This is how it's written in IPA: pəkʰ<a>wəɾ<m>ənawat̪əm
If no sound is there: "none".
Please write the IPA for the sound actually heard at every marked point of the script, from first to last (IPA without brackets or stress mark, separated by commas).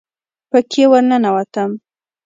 e, n